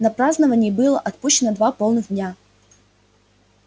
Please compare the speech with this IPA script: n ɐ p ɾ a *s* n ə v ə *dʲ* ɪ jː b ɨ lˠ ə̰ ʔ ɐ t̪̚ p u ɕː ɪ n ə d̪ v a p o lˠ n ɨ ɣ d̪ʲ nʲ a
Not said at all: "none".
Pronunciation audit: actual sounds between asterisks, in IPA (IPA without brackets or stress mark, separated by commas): z, nʲ